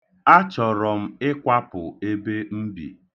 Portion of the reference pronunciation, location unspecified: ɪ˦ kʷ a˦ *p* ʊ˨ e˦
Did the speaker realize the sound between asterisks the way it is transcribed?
yes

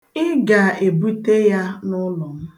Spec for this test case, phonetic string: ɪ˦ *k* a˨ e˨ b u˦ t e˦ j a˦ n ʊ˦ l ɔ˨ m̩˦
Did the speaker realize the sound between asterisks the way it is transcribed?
no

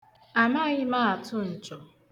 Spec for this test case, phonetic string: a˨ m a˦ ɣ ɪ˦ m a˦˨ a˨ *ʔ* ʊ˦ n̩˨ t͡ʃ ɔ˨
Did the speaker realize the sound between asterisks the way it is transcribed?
no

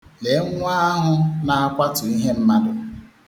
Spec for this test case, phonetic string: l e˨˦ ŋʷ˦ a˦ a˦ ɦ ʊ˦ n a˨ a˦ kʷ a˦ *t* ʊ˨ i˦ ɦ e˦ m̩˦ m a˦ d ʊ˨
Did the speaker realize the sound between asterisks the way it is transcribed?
yes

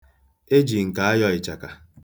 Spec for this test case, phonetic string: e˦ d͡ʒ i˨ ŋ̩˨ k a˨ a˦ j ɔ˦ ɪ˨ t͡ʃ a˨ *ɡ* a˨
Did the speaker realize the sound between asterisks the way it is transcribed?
no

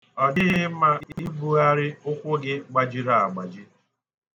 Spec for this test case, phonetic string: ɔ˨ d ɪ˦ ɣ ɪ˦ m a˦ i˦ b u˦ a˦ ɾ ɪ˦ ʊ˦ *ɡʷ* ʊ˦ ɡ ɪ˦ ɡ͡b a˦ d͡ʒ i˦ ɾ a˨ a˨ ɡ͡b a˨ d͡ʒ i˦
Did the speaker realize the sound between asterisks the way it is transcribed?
no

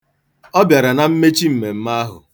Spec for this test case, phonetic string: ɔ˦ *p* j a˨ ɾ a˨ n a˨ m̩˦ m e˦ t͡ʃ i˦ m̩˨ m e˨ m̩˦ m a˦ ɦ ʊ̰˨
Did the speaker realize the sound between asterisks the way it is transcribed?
no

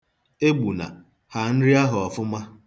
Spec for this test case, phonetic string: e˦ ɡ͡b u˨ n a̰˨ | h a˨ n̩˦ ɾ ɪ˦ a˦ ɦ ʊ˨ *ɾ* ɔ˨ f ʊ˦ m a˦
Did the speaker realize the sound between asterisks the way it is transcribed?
no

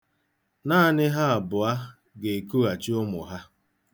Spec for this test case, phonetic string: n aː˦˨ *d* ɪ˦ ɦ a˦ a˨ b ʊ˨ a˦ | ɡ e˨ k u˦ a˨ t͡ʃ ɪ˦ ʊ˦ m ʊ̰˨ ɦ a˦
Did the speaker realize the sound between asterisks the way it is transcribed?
no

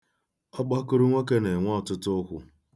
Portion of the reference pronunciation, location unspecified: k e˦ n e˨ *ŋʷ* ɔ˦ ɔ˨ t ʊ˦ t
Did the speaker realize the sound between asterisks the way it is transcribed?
yes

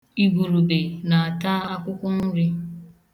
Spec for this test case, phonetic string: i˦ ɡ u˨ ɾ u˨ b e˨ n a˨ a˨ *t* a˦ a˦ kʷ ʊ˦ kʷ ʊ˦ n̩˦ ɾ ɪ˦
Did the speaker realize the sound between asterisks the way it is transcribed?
yes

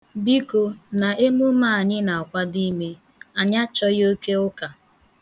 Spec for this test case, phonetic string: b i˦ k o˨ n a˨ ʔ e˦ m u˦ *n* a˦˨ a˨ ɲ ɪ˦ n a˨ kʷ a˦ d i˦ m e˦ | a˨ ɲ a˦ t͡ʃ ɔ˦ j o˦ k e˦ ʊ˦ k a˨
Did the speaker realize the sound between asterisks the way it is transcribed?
no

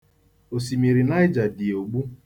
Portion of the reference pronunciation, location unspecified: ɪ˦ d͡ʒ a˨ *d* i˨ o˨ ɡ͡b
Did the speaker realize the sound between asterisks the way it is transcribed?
yes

